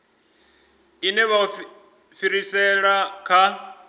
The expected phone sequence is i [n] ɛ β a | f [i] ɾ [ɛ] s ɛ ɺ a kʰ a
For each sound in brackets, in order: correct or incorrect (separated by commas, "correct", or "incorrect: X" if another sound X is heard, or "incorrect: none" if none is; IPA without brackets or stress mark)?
correct, correct, incorrect: i